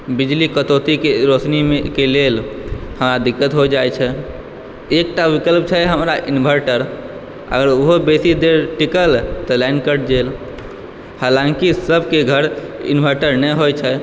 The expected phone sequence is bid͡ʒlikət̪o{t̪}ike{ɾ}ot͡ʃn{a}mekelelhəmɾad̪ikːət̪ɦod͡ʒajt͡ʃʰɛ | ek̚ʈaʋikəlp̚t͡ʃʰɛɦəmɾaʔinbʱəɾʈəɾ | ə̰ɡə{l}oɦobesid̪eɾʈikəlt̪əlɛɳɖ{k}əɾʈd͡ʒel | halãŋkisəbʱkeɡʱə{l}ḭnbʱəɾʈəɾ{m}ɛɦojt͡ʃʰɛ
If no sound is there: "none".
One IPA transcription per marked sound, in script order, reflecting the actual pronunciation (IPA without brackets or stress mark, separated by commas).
t̪, ɾ, i, ɾ, k, ɾ, n